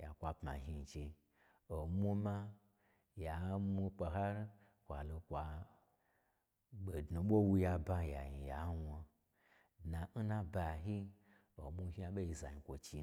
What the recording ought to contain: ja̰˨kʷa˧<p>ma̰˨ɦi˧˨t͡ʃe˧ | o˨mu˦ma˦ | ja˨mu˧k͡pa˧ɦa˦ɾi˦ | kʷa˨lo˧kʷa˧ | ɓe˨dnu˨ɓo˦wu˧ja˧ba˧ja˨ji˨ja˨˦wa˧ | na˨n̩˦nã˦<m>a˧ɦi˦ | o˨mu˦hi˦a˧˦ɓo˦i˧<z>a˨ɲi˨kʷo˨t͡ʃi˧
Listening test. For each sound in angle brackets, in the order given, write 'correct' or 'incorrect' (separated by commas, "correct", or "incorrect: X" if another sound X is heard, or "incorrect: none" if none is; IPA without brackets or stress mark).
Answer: correct, incorrect: b, correct